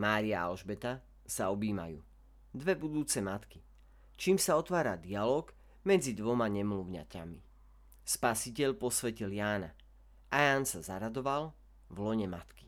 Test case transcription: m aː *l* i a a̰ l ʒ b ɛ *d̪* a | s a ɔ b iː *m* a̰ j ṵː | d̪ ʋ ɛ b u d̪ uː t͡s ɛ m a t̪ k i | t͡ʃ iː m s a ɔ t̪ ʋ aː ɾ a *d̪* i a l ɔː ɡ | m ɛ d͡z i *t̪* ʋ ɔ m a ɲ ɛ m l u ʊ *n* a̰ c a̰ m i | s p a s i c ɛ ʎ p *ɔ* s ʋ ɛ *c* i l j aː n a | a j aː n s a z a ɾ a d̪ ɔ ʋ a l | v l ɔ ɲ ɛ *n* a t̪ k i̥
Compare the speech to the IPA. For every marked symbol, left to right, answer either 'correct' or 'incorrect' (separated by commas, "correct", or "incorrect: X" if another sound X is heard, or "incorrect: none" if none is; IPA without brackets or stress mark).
incorrect: ɾ, incorrect: t̪, correct, correct, incorrect: d̪, incorrect: ɲ, correct, correct, incorrect: m